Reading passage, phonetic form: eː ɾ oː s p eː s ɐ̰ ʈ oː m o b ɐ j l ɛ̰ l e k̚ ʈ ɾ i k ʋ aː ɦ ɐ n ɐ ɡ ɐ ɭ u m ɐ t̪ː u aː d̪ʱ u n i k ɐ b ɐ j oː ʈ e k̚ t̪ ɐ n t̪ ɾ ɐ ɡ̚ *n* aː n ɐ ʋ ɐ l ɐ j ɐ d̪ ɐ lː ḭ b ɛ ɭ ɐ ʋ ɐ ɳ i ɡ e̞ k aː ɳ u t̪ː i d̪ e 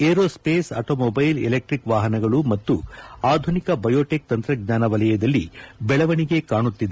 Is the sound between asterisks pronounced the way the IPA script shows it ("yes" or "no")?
no